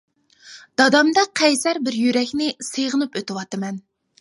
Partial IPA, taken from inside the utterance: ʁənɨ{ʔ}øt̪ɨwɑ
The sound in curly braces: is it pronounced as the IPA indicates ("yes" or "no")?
no